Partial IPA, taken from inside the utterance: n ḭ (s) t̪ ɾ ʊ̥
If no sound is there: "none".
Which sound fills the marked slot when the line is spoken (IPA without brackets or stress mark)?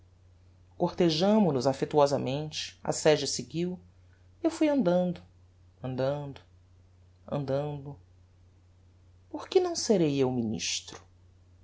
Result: ʃ